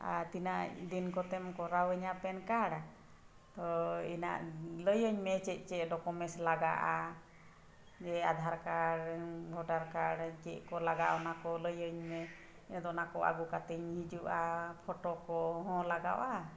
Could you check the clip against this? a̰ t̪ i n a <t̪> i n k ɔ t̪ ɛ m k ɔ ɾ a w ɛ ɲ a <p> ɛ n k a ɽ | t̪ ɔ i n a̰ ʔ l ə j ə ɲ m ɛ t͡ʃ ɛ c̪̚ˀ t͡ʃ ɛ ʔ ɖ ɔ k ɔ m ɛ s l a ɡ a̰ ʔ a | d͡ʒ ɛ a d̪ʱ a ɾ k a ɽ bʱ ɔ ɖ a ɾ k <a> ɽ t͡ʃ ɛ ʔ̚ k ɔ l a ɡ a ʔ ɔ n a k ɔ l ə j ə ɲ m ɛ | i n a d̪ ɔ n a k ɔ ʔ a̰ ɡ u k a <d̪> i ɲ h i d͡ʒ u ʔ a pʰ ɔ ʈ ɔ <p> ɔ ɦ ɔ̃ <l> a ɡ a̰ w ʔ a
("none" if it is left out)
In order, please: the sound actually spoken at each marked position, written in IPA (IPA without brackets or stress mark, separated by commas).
d̪, p, a, t̪, k, l